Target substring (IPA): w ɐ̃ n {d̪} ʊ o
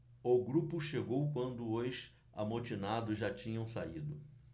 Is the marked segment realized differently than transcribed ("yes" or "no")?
no